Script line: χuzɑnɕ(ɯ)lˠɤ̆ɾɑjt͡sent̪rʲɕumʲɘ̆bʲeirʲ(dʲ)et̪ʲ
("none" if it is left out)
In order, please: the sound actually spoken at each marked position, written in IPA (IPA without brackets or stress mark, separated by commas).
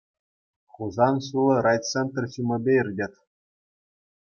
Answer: u, dʲ